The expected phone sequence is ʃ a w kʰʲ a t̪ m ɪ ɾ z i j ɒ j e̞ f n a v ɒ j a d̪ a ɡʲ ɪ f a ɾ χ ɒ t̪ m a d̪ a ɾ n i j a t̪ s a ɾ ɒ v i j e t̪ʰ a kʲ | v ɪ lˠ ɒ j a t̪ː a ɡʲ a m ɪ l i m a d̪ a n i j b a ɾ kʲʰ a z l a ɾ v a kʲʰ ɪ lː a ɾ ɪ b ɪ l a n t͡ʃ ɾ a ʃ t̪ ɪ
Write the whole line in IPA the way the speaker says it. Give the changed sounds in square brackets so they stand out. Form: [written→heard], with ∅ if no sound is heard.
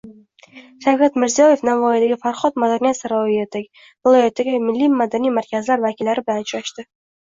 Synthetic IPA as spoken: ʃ a w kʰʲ a t̪ m ɪ ɾ z i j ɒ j e̞ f n a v ɒ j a d̪ a ɡʲ ɪ f a ɾ χ ɒ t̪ m a d̪ a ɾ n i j a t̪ s a ɾ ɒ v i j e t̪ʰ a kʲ | v ɪ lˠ ɒ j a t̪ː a ɡʲ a m ɪ [l→lː] i m a d̪ a n i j [b→m] a ɾ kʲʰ a z l a ɾ v a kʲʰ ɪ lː a ɾ ɪ b ɪ l a n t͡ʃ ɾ a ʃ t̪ ɪ